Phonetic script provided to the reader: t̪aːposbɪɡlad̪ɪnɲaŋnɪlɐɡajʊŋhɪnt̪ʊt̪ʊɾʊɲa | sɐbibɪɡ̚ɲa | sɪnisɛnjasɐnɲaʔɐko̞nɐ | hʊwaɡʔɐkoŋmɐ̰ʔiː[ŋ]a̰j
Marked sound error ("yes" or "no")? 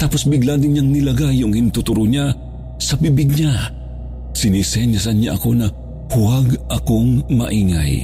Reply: no